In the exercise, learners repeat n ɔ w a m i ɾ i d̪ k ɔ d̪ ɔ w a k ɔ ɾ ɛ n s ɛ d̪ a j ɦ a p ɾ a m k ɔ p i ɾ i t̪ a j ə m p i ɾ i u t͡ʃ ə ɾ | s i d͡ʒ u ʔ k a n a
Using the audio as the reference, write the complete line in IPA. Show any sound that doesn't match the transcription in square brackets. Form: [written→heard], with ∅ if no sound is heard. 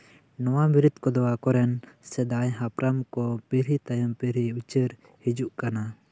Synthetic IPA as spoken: n ɔ w a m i ɾ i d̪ k ɔ d̪ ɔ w a k ɔ ɾ ɛ n s ɛ d̪ a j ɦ a p ɾ a m k ɔ p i ɾ i t̪ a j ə m p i ɾ i u t͡ʃ ə ɾ | [s→h] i d͡ʒ u ʔ k a n a